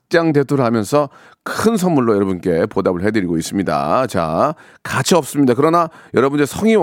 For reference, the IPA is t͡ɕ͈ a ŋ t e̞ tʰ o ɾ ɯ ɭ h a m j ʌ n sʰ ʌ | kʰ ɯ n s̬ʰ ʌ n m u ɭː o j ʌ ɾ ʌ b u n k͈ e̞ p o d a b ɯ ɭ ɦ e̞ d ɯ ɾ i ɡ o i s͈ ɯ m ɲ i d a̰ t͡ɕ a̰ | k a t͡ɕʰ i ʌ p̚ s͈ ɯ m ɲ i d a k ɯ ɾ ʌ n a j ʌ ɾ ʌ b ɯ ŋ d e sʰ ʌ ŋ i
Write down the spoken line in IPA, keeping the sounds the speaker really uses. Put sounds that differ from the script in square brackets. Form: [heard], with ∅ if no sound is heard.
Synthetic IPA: t͡ɕ͈ a ŋ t e̞ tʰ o ɾ ɯ ɭ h a m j ʌ n sʰ ʌ | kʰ ɯ n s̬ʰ ʌ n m u ɭː o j ʌ ɾ ʌ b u n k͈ e̞ p o d a b ɯ ɭ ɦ e̞ d ɯ ɾ i ɡ o i s͈ ɯ m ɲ i d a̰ t͡ɕ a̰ | k a t͡ɕʰ i ʌ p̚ s͈ ɯ m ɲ i d a k ɯ ɾ ʌ n a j ʌ ɾ ʌ b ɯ [n] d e sʰ ʌ ŋ i